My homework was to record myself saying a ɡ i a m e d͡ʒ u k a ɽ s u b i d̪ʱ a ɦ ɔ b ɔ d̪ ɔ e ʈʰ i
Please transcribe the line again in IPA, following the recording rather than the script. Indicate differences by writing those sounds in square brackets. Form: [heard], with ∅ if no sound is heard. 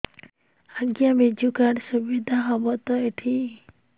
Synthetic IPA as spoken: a ɡ [j] a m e d͡ʒ u k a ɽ s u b i d̪ʱ a ɦ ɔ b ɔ [t̪] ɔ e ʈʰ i